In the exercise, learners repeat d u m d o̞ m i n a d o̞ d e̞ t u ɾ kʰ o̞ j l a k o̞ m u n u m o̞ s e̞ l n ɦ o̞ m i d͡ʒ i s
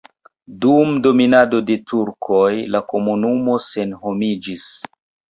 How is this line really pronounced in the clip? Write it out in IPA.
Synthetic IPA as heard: d u m d o̞ m i n a d o̞ d e̞ t u ɾ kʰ o̞ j l a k o̞ m u n u m o̞ s e̞ n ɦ o̞ m i d͡ʒ i s